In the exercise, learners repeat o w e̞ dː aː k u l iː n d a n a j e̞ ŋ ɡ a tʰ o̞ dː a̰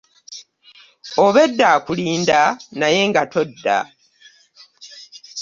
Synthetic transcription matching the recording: o β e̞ dː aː k u l iː n d a n a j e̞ ŋ ɡ a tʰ o̞ dː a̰